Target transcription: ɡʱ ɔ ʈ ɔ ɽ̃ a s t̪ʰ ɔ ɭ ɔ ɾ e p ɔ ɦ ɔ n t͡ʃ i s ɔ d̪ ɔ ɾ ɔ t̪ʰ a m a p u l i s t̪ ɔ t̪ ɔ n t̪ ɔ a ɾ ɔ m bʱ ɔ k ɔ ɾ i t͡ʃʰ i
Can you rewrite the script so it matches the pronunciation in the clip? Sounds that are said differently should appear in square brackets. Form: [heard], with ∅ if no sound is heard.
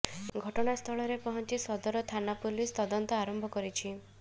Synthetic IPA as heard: ɡʱ ɔ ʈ ɔ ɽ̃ a s t̪ʰ ɔ ɭ ɔ ɾ e p ɔ ɦ ɔ n t͡ʃ i s ɔ d̪ ɔ ɾ ɔ t̪ʰ a [n] a p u l i s t̪ ɔ [d̪] ɔ n t̪ ɔ a ɾ ɔ m bʱ ɔ k ɔ ɾ i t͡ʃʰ i